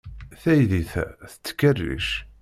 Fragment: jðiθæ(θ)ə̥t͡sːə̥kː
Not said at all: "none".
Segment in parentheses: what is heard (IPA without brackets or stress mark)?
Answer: θ